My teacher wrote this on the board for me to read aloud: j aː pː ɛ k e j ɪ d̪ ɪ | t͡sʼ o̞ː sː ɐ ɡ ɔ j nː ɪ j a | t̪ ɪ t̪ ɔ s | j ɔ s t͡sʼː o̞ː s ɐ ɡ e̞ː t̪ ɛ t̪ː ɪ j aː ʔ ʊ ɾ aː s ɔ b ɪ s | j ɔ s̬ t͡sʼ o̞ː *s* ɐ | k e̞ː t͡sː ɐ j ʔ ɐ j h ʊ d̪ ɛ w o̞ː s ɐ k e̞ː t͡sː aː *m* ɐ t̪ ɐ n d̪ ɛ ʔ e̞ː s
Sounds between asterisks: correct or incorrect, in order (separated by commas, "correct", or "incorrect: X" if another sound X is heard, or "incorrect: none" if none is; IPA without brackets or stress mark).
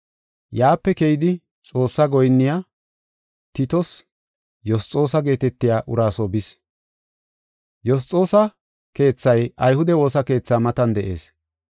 correct, correct